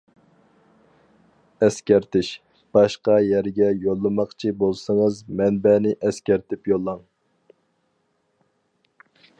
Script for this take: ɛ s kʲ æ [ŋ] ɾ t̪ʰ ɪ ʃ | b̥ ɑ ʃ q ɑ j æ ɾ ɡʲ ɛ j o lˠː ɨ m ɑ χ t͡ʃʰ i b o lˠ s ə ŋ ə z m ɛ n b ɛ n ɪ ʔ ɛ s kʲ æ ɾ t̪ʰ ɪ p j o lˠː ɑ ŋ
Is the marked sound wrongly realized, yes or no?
yes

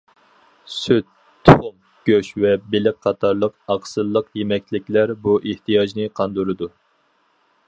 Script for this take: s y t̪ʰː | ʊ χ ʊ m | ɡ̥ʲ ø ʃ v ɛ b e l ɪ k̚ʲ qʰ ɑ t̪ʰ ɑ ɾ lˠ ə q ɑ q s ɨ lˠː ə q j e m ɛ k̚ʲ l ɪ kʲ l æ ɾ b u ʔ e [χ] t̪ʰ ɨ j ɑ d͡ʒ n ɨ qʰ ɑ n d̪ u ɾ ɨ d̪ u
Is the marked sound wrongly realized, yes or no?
yes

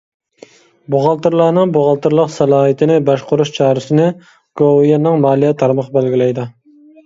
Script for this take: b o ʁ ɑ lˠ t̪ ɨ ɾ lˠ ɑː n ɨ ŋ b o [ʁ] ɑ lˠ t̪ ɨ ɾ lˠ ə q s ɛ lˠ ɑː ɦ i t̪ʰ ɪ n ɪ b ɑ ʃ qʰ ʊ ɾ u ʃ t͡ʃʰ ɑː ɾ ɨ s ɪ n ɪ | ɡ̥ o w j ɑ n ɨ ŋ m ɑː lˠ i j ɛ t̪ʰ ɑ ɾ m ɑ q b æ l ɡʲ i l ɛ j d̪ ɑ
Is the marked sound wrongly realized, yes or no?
no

